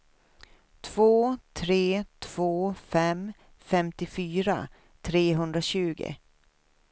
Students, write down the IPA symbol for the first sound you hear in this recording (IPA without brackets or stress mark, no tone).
t̪ʰ